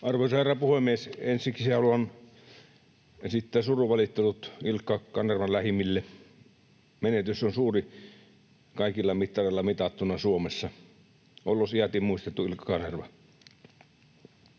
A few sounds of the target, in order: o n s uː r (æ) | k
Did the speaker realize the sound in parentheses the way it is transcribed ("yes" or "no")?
no